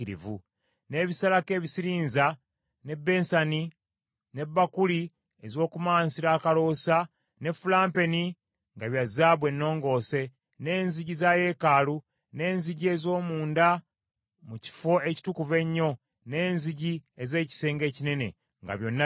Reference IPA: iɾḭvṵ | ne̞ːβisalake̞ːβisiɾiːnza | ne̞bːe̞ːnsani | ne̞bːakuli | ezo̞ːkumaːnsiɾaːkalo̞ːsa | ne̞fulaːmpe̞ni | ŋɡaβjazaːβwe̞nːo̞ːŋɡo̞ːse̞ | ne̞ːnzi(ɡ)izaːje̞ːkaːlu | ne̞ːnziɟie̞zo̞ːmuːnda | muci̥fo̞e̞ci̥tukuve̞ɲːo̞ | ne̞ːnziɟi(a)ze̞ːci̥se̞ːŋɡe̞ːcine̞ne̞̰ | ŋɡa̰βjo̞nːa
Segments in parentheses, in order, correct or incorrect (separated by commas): incorrect, incorrect